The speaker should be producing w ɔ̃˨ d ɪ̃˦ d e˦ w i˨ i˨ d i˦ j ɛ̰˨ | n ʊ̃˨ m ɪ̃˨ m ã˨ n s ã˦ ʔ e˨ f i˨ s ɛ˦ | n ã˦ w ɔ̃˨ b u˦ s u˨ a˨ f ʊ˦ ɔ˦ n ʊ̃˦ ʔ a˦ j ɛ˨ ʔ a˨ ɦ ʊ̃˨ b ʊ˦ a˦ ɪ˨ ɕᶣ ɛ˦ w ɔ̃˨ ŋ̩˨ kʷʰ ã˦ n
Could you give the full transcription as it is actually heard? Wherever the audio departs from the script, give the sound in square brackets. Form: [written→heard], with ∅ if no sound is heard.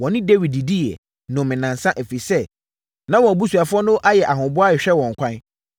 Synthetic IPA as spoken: w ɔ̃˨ [d→n] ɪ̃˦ d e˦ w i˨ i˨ d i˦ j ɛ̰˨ | n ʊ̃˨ m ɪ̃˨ [m→n] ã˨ n s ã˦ ʔ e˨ f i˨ s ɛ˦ | n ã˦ w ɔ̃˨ b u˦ s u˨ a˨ f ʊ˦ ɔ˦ n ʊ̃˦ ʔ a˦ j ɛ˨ ʔ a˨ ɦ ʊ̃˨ b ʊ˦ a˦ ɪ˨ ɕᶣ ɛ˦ w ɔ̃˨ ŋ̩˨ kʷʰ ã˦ n